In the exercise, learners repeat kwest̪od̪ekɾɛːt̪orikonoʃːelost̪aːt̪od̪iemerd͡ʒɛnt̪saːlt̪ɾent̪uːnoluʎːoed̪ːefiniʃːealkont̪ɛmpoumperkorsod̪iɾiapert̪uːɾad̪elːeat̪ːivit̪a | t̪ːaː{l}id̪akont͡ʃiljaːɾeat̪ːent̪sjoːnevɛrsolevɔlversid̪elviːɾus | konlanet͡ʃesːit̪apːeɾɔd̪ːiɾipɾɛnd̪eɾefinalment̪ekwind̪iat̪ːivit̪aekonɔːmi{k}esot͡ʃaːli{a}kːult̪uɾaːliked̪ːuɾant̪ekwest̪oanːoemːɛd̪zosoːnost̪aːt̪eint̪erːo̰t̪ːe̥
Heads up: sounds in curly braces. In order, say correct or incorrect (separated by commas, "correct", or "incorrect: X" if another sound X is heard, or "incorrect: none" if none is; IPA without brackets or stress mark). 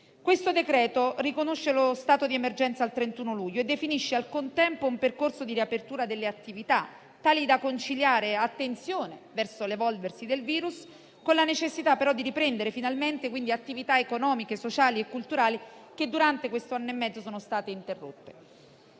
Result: correct, correct, incorrect: e